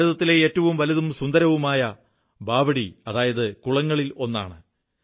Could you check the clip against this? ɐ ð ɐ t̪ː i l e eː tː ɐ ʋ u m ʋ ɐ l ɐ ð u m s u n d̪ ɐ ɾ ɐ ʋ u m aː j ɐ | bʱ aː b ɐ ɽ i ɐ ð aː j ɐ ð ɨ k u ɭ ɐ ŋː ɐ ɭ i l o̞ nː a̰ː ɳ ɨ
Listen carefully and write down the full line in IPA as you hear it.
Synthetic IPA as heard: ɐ ð ɐ t̪ː i l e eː tː ɐ ʋ u m ʋ ɐ l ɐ ð u m s u n d̪ ɐ ɾ ɐ ʋ u m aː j ɐ | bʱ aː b ɐ ɽ i ɐ ð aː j ɐ ð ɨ k u ɭ ɐ ŋː ɐ ɭ i l o̞ nː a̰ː ɳ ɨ

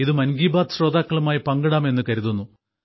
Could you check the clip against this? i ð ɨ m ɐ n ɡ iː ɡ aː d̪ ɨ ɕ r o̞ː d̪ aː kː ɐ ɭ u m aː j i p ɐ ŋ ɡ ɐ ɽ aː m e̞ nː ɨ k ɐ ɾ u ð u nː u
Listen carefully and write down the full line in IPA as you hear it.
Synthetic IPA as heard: i ð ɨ m ɐ n ɡ iː b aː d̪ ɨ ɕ r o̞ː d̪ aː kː ɐ ɭ u m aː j i p ɐ ŋ ɡ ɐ ɽ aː m e̞ nː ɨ k ɐ ɾ u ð u nː u

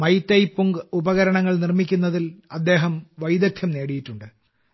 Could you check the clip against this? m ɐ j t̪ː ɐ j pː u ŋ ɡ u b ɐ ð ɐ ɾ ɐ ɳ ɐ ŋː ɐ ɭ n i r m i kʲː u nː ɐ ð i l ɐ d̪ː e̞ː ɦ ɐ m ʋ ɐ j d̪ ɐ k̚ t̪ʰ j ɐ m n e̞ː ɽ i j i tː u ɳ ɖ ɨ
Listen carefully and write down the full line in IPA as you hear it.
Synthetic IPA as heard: m ɐ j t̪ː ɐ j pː u ŋ ɡ u b ɐ ɣ ɐ ɾ ɐ ɳ ɐ ŋː ɐ ɭ n i r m i kʲː u nː ɐ ð i l ɐ d̪ː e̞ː ɦ ɐ m ʋ ɐ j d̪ ɐ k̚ t̪ʰ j ɐ m n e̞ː ɽ i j i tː u ɳ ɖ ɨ

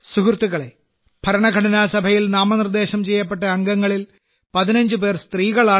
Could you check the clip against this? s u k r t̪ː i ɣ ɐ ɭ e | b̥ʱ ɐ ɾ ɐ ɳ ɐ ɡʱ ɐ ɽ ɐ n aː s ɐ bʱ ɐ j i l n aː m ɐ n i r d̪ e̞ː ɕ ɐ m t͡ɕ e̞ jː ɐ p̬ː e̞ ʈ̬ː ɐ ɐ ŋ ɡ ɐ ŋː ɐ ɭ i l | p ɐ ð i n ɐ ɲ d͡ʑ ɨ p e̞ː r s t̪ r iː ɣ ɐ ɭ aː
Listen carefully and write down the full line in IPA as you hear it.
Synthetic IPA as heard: s u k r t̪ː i ɣ ɐ ɭ e | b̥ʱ ɐ ɾ ɐ ɳ ɐ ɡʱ ɐ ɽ ɐ n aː s ɐ bʱ ɐ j i l n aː m ɐ n i r d̪ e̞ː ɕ ɐ m t͡ɕ e̞ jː ɐ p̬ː e̞ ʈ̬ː ɐ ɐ ŋ ɡ ɐ ŋː ɐ ɭ i l | p ɐ ð i n ɐ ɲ d͡ʑ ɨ p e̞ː r s t̪ r iː ɣ ɐ ɭ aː

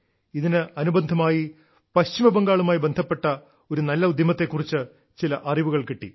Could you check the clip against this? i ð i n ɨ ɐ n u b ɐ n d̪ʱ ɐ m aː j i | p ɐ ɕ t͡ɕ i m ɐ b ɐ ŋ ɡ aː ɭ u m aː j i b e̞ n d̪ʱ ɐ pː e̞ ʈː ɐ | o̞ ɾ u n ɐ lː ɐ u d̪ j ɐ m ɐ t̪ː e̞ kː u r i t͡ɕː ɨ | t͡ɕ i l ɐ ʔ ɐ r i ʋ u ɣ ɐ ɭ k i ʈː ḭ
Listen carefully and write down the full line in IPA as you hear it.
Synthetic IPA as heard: i ð i n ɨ ɐ n u b ɐ n d̪ʱ ɐ m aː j i | p ɐ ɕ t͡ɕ i m ɐ b ɐ ŋ ɡ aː ɭ u m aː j i b e̞ n d̪ʱ ɐ pː e̞ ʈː ɐ | o̞ ɾ u n ɐ lː ɐ u d̪ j ɐ m ɐ t̪ː e̞ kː u r i t͡ɕː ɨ | t͡ɕ i l ɐ ʔ ɐ r i ʋ u ɣ ɐ ɭ k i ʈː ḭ

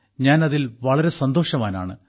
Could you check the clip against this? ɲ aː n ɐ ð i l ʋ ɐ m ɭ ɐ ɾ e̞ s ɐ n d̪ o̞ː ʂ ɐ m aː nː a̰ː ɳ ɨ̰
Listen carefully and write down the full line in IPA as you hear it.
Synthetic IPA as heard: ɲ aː n ɐ ð i l ʋ ɐ ɭ ɐ ɾ e̞ s ɐ n d̪ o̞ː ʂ ɐ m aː n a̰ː ɳ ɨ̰

